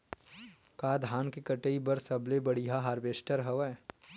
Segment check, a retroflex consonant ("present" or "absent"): present